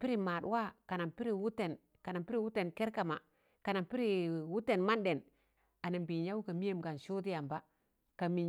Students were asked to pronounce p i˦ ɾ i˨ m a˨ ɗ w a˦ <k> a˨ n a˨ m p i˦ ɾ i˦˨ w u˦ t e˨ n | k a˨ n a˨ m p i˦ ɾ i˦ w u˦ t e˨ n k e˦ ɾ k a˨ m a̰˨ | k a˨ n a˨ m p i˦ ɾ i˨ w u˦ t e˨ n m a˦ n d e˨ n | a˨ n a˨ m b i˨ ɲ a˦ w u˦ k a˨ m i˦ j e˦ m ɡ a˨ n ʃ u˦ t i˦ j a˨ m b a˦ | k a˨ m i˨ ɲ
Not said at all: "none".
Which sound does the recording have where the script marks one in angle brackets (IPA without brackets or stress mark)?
k